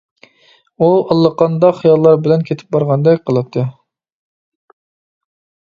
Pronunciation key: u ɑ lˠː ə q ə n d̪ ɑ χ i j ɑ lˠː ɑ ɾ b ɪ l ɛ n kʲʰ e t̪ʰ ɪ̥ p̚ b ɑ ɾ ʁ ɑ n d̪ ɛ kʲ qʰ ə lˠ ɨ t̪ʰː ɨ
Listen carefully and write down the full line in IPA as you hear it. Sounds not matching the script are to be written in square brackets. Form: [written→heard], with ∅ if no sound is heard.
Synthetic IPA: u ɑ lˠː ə q [ə→ɑ] n d̪ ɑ χ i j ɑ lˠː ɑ ɾ b ɪ l ɛ n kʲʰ e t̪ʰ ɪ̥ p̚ b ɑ ɾ ʁ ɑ n d̪ ɛ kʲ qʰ ə lˠ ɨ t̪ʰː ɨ